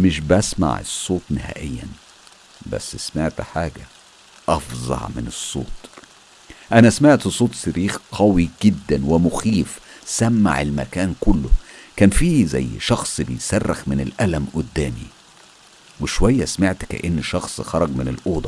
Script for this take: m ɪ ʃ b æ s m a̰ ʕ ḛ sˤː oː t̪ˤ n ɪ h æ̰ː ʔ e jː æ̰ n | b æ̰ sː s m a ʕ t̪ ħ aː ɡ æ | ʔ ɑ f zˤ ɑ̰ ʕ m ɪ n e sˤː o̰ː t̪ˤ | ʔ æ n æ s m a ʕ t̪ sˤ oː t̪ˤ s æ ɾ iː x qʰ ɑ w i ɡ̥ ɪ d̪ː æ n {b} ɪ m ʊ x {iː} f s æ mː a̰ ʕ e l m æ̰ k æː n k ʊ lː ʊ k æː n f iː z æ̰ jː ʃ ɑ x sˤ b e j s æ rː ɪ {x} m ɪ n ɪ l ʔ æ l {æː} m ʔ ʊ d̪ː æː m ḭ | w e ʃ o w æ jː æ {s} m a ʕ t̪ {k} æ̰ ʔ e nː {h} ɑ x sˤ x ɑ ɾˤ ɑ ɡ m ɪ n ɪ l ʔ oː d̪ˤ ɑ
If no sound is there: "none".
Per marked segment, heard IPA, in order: w, iː, x, æ, s, k, ʃ

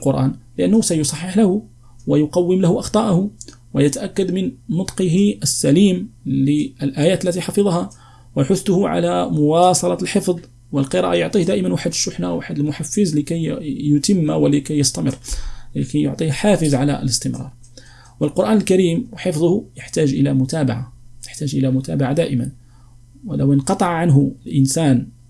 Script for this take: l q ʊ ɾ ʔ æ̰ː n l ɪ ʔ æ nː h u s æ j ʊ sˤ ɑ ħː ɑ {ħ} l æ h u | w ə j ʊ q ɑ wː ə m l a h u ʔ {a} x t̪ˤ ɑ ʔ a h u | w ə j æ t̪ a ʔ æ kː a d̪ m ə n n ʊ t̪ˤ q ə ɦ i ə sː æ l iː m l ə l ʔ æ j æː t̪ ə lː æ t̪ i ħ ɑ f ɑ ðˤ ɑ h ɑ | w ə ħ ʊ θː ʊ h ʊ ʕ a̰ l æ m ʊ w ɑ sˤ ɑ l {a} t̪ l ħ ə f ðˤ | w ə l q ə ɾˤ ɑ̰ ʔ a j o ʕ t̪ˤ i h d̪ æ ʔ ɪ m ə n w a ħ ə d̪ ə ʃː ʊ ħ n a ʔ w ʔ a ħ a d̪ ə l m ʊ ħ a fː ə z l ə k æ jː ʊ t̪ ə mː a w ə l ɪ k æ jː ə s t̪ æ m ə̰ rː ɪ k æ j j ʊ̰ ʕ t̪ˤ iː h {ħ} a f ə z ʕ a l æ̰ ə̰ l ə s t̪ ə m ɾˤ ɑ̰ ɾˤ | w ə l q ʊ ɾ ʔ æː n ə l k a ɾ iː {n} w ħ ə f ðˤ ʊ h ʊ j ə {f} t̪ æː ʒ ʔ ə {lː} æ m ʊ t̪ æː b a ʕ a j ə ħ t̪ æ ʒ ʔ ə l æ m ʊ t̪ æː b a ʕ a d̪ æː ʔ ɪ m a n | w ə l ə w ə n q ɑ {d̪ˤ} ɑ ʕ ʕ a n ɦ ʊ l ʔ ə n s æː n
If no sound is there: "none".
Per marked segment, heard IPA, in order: ħ, ɑ, ɑ, ħ, m, ħ, l, t̪ˤ

